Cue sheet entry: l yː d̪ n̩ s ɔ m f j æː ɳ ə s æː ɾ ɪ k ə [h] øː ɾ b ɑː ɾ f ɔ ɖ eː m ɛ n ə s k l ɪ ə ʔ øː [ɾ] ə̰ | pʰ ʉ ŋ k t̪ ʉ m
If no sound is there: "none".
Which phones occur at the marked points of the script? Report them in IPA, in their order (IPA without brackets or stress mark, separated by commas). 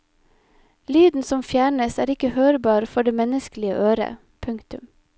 h, ɾ